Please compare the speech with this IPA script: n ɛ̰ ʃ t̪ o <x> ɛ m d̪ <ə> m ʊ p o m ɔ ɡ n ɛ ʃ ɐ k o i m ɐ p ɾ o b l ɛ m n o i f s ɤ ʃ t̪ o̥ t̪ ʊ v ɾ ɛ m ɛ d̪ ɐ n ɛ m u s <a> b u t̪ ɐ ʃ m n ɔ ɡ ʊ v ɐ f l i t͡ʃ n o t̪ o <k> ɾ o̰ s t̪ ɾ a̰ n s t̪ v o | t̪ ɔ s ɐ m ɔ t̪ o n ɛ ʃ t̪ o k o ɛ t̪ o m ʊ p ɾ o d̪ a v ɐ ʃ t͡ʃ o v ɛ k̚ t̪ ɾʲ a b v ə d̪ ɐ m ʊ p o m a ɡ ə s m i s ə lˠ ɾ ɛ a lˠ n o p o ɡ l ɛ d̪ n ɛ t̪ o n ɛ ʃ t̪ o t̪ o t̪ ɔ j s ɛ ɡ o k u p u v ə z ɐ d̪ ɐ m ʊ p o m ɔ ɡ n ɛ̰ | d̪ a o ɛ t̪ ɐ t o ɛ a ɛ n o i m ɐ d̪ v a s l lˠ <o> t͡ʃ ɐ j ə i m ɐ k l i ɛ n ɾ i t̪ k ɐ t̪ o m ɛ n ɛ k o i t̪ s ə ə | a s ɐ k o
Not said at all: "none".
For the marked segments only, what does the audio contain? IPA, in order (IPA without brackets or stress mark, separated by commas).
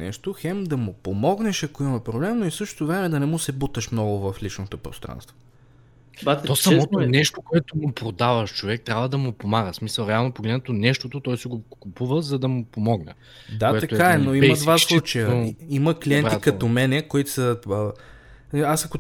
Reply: x, ɐ, ɛ, p, u